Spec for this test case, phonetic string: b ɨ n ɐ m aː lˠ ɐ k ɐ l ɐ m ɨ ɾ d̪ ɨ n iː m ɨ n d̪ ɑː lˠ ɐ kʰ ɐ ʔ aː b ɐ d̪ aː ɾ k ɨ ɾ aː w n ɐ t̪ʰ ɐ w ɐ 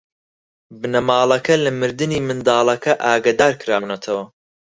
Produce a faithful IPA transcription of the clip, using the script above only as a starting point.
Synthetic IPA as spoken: b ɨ n ɐ m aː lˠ ɐ k ɐ l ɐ m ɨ ɾ d̪ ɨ n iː m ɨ n d̪ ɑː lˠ ɐ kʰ ɐ ʔ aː ɡ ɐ d̪ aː ɾ k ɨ ɾ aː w n ɐ t̪ʰ ɐ w ɐ